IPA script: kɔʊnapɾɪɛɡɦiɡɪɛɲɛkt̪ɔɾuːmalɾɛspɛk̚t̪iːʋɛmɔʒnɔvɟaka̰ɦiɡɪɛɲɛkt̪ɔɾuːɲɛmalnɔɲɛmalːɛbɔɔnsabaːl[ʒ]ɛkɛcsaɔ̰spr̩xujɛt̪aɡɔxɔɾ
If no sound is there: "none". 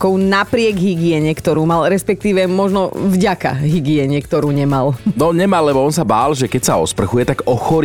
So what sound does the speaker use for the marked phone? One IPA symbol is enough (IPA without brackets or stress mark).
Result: ʒ